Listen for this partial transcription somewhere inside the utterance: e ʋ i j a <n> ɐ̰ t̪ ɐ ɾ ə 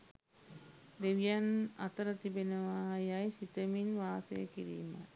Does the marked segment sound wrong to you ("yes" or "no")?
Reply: no